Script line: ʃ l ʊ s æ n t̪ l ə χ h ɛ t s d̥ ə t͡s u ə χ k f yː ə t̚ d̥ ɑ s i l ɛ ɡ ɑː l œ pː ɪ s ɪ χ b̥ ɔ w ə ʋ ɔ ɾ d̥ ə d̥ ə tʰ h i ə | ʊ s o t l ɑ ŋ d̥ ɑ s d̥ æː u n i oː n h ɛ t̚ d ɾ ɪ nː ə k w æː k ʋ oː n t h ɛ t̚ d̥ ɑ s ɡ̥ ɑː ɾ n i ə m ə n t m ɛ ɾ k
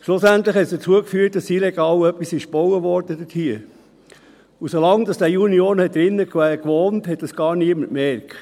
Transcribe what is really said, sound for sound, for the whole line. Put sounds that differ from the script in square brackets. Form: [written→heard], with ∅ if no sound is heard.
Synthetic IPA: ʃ l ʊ s æ n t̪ l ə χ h ɛ t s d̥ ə t͡s u ə [χ→∅] k f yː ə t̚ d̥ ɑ s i l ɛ ɡ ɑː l œ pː [ɪ→i] s ɪ [χ→ʃ] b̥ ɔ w ə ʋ ɔ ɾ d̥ ə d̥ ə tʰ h i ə | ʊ s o [t→∅] l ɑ ŋ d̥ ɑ s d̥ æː u n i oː n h ɛ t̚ d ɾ ɪ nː ə k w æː k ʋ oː n t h ɛ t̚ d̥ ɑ s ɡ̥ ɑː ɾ n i ə m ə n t m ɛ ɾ k